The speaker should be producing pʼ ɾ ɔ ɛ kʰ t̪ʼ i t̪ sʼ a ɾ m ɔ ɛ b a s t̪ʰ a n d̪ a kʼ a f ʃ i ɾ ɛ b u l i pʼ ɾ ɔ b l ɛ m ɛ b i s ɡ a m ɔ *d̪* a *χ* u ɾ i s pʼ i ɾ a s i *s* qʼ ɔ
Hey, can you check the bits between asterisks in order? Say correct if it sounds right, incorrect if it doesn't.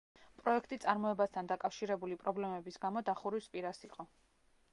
correct, correct, incorrect

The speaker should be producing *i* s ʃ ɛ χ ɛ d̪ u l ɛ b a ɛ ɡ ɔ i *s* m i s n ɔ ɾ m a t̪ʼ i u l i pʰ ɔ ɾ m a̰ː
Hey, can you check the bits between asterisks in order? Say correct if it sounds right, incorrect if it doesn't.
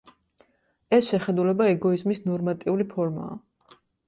incorrect, incorrect

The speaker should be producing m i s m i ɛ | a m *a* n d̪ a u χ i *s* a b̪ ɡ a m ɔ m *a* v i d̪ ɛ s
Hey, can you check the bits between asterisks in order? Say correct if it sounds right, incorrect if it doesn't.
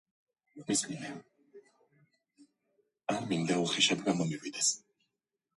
incorrect, incorrect, incorrect

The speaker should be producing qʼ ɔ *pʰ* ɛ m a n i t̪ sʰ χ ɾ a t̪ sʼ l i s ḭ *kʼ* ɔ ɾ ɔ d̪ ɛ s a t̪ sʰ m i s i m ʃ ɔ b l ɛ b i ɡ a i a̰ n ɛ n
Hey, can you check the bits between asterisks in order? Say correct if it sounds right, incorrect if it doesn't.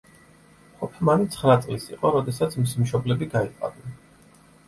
correct, incorrect

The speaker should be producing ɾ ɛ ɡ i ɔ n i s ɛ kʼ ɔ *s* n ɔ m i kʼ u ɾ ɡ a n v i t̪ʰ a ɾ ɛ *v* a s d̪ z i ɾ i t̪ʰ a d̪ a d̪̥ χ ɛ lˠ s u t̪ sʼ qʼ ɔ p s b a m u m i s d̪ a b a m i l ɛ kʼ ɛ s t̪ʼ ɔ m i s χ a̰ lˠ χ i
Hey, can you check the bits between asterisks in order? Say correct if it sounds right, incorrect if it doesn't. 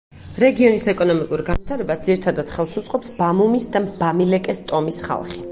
incorrect, incorrect

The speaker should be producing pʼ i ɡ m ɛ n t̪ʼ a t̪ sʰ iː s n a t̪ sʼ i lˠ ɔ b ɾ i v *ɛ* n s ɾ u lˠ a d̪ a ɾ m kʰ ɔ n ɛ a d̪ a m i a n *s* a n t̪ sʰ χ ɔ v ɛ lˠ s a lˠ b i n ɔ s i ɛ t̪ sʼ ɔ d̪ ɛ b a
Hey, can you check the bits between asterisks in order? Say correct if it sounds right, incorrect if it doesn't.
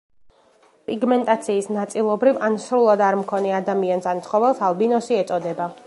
incorrect, correct

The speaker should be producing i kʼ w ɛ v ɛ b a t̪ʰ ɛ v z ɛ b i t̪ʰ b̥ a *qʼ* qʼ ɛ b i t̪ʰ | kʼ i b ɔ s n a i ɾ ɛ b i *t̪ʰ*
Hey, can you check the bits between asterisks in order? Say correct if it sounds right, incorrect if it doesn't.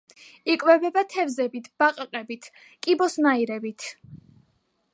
correct, correct

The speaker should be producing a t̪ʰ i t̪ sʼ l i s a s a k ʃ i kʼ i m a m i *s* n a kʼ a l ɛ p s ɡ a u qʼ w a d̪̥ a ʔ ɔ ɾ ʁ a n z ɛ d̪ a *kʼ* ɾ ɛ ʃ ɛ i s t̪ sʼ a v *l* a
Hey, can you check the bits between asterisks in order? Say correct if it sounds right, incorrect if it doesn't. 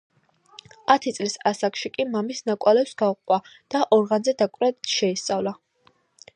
correct, correct, correct

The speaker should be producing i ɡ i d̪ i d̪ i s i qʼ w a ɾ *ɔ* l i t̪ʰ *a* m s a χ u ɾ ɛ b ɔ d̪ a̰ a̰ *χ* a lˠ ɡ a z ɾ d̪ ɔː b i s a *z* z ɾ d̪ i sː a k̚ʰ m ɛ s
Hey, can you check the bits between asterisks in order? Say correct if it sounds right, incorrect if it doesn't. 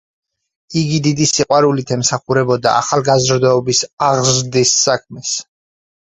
incorrect, incorrect, correct, incorrect

